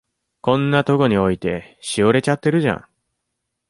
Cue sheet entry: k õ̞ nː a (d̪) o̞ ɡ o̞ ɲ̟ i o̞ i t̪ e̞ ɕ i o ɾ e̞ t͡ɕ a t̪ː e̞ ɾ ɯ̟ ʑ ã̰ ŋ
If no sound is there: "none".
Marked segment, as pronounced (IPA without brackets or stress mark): t̪